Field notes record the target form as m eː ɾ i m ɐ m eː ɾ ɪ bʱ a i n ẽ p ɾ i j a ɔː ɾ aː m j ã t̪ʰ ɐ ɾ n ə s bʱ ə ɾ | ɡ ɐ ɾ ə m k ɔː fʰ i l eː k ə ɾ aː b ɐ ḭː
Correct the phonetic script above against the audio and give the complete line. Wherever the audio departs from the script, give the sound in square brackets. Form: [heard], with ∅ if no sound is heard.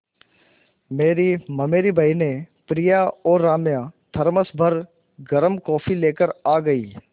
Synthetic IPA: m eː ɾ i m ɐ m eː ɾ [i] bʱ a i n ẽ p ɾ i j a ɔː ɾ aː m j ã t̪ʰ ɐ ɾ [m] ə s bʱ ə ɾ | ɡ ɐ ɾ ə m k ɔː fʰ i l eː k ə ɾ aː [ɡ] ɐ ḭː

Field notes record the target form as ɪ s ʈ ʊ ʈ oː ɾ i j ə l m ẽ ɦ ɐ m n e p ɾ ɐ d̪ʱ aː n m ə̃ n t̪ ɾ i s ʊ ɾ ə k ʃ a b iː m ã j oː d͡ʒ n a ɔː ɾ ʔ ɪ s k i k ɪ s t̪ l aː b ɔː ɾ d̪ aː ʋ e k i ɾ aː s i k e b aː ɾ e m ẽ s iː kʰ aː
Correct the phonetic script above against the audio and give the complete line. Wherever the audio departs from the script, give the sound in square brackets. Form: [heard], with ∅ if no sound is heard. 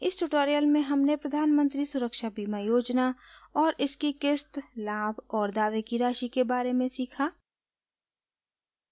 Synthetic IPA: ɪ s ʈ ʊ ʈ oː ɾ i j ə l m ẽ ɦ ɐ m n e p ɾ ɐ d̪ʱ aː n m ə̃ n t̪ ɾ i s ʊ ɾ ə k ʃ a b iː m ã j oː d͡ʒ n a ɔː ɾ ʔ ɪ s k i k ɪ s t̪ l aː b ɔː ɾ d̪ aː ʋ e k i ɾ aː [ʃ] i k e b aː ɾ e m ẽ s iː kʰ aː

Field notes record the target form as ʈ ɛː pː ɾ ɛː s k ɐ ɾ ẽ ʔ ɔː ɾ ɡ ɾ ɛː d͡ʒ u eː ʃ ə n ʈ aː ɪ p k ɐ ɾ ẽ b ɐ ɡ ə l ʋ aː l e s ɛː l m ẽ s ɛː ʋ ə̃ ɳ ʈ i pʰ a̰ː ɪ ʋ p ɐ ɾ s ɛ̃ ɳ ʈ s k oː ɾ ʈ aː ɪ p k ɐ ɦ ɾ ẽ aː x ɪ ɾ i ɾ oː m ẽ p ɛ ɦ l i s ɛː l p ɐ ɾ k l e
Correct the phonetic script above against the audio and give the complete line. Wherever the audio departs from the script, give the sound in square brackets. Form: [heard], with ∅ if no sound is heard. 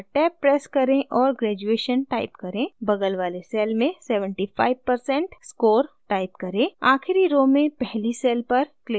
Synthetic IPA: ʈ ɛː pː ɾ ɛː s k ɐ ɾ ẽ ʔ ɔː ɾ ɡ ɾ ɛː d͡ʒ u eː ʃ ə n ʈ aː ɪ p k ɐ ɾ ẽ b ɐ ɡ ə l ʋ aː l e s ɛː l m ẽ s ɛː ʋ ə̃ ɳ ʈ i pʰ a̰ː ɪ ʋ p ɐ ɾ s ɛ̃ ɳ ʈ s k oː ɾ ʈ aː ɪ p k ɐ [∅] ɾ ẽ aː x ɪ ɾ i ɾ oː m ẽ p ɛ ɦ l i s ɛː l p ɐ ɾ k l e

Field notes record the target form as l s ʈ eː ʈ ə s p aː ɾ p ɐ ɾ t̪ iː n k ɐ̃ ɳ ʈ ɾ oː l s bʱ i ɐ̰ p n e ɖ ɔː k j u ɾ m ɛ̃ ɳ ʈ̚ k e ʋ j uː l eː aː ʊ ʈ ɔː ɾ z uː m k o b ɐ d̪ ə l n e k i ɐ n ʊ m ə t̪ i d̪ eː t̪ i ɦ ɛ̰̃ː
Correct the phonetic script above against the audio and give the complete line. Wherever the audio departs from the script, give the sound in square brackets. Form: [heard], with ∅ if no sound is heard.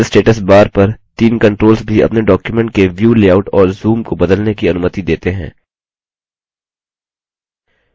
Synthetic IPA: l s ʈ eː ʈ ə s [b] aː ɾ p ɐ ɾ t̪ iː n k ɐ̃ ɳ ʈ ɾ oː l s bʱ i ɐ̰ p n e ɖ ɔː k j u [∅] m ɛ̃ ɳ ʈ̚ k e ʋ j uː l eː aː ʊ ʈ ɔː ɾ z uː m k o b ɐ d̪ ə l n e k i ɐ n ʊ m ə t̪ i d̪ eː t̪ [e] ɦ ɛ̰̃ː

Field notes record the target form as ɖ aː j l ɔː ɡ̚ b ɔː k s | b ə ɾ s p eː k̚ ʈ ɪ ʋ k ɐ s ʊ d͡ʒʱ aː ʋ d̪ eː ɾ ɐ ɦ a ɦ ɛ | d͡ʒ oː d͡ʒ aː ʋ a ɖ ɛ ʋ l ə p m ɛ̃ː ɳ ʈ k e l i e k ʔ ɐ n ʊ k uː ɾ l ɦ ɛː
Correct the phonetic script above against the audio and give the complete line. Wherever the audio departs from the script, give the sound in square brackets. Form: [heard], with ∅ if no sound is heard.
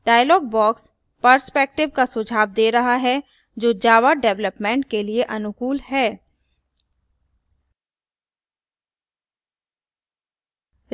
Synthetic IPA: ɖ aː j l ɔː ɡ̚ b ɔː k s | [p] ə ɾ s p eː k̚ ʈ ɪ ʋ k [a] s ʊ d͡ʒʱ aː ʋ d̪ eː ɾ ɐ ɦ a ɦ ɛ | d͡ʒ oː d͡ʒ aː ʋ a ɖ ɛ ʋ l ə p m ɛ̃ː ɳ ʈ k e l i e [∅] ʔ ɐ n ʊ k uː [∅] l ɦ ɛː

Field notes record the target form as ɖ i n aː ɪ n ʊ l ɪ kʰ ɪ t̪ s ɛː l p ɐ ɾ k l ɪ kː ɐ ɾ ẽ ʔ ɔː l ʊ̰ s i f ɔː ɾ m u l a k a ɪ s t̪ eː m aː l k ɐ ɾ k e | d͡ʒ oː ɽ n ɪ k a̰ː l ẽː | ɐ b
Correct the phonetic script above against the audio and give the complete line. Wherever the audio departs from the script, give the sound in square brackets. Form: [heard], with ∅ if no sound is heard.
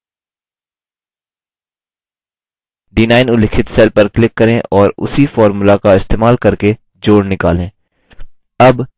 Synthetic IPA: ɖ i n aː ɪ n ʊ l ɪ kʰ ɪ t̪ s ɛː l p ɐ ɾ k l ɪ kː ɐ ɾ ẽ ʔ ɔː [ɾ] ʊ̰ s i f ɔː ɾ m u l a k a ɪ s t̪ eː m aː l k ɐ ɾ k e | d͡ʒ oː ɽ n ɪ k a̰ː l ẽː | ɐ b

